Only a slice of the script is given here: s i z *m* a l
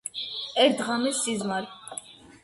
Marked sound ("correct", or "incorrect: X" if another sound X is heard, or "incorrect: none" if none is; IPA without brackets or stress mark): correct